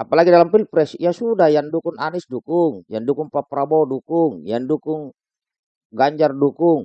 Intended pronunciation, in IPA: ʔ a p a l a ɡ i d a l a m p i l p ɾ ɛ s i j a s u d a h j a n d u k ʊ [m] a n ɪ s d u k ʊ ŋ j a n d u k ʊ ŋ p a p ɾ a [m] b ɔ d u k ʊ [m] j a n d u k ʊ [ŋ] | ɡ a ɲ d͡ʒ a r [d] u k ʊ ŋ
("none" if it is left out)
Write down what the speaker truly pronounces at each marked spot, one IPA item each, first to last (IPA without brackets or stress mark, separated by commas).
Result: ŋ, none, ŋ, ŋ, d